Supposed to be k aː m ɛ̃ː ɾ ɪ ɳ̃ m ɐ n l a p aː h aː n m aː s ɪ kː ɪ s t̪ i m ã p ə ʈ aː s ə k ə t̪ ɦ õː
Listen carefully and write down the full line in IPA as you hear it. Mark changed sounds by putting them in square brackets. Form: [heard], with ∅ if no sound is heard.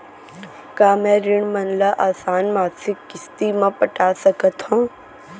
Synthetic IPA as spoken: k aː m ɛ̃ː ɾ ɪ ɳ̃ m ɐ n l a [ʔ] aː [s] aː n m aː s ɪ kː ɪ s t̪ i m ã p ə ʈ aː s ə k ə t̪ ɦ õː

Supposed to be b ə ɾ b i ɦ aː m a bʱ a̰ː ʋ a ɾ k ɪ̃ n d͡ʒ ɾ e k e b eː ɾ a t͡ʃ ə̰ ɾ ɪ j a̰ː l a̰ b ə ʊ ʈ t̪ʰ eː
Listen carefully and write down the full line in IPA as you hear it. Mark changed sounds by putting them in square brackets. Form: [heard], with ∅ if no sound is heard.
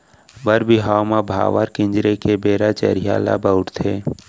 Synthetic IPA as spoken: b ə ɾ b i ɦ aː m a bʱ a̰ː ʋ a ɾ k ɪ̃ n d͡ʒ ɾ e k e b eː ɾ a t͡ʃ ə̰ ɾ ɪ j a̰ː l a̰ b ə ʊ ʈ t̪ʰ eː

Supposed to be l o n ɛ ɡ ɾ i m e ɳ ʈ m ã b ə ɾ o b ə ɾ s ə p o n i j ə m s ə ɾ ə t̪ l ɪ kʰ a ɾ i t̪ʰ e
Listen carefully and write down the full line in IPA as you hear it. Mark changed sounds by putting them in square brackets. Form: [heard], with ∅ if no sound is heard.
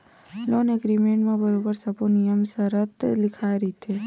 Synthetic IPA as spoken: l o n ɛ ɡ ɾ i m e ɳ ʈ m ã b ə ɾ o b ə ɾ s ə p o n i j ə m s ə ɾ ə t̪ l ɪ kʰ a ɾ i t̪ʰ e

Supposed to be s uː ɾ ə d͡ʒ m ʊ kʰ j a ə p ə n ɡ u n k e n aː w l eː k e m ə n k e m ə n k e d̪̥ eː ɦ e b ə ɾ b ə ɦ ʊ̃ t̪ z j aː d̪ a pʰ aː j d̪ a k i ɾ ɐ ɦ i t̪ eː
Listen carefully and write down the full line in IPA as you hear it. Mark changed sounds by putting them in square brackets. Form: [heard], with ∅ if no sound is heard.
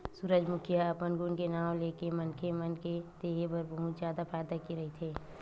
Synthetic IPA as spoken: s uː ɾ ə d͡ʒ m ʊ kʰ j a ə p ə n ɡ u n k e n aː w l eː k e m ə n k e m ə n k e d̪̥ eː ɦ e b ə ɾ b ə ɦ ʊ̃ t̪ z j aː d̪ a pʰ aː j d̪ a k i ɾ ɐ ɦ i [t̪ʰ] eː

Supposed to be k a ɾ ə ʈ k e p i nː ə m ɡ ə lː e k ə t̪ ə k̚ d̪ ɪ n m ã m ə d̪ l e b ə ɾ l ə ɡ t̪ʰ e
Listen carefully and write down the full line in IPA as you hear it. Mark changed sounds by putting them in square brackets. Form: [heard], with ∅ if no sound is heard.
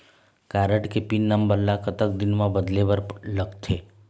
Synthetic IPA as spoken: k a ɾ ə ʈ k e p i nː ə m [b] ə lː [a] k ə t̪ ə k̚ d̪ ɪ n m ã [b] ə d̪ l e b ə ɾ l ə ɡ t̪ʰ e

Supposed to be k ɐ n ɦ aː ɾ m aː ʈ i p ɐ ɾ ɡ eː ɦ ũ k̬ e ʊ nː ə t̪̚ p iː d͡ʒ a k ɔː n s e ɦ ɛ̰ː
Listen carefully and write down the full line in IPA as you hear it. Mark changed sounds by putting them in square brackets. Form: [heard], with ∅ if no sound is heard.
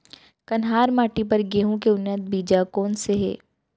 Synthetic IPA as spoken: k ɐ n ɦ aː ɾ m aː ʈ i p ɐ ɾ ɡ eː ɦ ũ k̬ e ʊ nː ə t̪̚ [b] iː d͡ʒ a k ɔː n s e ɦ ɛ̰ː

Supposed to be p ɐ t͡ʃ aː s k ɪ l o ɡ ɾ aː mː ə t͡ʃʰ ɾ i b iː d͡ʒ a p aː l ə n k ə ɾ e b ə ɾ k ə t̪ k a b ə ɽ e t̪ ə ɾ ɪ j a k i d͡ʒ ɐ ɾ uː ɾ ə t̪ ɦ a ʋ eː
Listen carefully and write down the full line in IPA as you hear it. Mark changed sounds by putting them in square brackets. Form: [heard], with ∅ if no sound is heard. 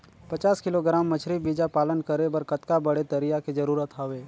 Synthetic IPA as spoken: p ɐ t͡ʃ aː s k ɪ l o ɡ ɾ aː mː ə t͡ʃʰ ɾ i b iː d͡ʒ a p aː l ə n k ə ɾ e b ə ɾ k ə t̪ k a b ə ɽ e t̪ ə ɾ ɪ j a k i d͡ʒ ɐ ɾ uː ɾ ə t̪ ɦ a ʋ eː

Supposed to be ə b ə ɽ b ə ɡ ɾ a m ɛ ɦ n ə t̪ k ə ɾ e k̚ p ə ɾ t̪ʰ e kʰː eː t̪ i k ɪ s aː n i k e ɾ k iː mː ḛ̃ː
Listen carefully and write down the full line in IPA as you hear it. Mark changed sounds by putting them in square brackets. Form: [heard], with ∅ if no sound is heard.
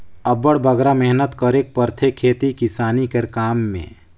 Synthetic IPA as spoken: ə b ə ɽ b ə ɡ ɾ a m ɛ ɦ n ə t̪ k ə ɾ e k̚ p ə ɾ t̪ʰ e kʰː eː t̪ i k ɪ s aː n i k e ɾ k [aː] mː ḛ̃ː

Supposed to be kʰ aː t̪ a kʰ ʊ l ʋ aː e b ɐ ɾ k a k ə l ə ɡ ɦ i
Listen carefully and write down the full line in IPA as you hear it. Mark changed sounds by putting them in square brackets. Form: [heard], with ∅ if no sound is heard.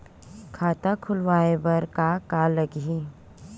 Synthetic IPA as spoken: kʰ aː t̪ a kʰ ʊ l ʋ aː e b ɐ ɾ k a k [a] l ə ɡ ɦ i

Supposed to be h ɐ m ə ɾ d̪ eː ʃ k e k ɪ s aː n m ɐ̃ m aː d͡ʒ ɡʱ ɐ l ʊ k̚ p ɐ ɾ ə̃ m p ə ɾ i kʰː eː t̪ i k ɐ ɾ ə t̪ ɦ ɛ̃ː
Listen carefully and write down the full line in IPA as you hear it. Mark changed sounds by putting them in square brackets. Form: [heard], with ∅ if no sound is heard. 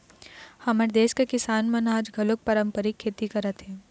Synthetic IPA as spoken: h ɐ m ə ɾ d̪ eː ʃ k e k ɪ s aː n m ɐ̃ [n] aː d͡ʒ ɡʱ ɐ l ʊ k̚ p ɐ ɾ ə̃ m p ə ɾ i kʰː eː t̪ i k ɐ ɾ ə t̪ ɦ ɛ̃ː

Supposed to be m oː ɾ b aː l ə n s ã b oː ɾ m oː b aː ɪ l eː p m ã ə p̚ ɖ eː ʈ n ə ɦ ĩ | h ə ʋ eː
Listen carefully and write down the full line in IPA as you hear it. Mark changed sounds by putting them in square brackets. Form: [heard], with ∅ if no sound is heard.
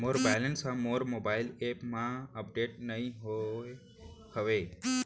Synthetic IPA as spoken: m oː ɾ b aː l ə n s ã [m] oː ɾ m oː b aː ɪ l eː p m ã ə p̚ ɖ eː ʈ n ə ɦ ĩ | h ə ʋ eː

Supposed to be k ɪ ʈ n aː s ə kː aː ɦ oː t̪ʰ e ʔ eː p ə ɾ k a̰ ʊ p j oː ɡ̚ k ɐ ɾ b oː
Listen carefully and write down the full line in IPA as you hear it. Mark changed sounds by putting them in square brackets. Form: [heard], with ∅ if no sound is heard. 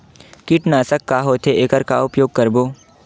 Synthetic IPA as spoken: k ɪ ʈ n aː s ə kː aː ɦ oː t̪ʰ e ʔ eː [k] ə ɾ k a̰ ʊ p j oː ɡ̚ k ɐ ɾ b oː

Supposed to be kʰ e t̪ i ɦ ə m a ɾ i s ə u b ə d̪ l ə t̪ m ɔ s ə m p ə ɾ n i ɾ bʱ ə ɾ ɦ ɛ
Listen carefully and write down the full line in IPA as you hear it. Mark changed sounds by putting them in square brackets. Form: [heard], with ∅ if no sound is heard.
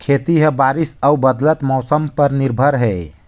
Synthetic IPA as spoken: kʰ e t̪ i ɦ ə [b] a ɾ i s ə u b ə d̪ l ə t̪ m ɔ s ə m p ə ɾ n i ɾ bʱ ə ɾ ɦ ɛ

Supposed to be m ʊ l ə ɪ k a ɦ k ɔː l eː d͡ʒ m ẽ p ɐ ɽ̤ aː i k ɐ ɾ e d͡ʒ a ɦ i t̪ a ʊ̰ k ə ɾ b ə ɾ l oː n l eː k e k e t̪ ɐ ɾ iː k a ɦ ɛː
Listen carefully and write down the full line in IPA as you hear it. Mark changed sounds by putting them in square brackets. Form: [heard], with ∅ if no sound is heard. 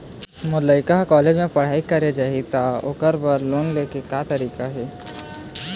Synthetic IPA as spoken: m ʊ l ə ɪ k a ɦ k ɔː l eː d͡ʒ m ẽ p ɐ ɽ̤ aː i k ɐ ɾ e d͡ʒ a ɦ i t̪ a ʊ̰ k ə ɾ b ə ɾ l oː n l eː k e k [a] t̪ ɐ ɾ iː k a ɦ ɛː

